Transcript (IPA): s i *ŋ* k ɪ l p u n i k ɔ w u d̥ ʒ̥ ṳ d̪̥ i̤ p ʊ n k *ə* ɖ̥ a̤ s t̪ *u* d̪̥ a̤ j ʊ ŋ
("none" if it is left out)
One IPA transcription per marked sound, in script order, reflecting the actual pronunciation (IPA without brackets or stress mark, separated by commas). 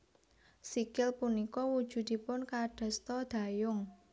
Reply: none, a, ɔ